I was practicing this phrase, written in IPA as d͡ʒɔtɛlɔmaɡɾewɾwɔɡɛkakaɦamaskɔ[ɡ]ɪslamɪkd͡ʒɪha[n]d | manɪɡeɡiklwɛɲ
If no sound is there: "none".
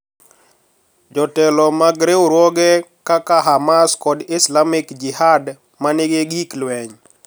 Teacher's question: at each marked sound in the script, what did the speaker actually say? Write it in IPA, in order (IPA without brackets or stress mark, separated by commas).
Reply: d, none